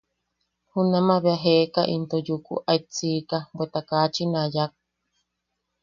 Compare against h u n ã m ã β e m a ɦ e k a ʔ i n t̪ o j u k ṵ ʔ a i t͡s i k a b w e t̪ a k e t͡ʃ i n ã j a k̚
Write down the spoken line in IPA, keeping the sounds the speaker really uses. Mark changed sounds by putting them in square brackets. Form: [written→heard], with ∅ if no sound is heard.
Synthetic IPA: h u n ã m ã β e [m→∅] a ɦ e k a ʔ i n t̪ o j u k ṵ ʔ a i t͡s i k a b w e t̪ a k [e→a] t͡ʃ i n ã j a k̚